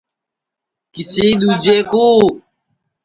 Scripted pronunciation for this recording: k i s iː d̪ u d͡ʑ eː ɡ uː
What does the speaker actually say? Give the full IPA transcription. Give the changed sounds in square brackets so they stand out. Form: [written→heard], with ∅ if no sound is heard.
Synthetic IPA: k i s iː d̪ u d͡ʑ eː [ɡ→k] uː